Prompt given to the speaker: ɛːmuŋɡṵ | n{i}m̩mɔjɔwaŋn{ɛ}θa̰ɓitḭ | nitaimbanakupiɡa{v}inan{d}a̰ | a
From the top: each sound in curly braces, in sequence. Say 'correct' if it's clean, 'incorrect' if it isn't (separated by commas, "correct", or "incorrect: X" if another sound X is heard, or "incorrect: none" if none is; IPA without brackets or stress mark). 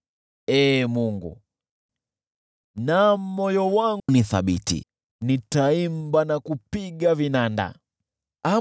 incorrect: a, incorrect: i, correct, correct